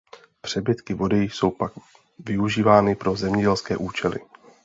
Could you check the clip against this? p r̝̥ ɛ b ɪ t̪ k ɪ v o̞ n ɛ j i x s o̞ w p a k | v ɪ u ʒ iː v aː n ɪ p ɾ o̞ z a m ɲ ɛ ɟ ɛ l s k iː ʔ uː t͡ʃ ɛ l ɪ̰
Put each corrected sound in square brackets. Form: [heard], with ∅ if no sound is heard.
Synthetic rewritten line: p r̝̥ ɛ b ɪ t̪ k ɪ v o̞ [d] ɛ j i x s o̞ w p a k | v ɪ u ʒ iː v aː n ɪ p ɾ o̞ z [ɛ] m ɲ ɛ ɟ ɛ l s k [ɛː] ʔ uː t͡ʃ ɛ l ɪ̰